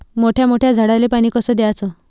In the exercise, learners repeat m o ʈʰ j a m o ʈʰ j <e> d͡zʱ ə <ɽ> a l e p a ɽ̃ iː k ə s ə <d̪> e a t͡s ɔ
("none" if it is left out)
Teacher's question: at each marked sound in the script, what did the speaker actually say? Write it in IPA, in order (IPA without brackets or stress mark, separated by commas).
a, ɽ, d̪